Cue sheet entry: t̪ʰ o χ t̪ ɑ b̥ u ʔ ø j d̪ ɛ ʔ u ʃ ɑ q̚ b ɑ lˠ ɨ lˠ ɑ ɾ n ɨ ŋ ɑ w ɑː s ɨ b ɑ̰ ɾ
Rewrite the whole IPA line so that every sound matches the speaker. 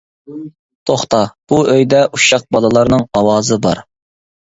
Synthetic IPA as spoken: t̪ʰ o χ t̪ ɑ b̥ u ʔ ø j d̪ ɛ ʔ u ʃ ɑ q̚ b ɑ lˠ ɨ lˠ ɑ ɾ n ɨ ŋ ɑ w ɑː z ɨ b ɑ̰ ɾ